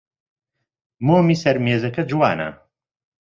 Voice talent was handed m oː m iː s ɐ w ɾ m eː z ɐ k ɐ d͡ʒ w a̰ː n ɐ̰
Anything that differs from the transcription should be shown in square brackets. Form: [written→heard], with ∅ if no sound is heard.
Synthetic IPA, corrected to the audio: m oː m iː s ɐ [w→∅] ɾ m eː z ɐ k ɐ d͡ʒ w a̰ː n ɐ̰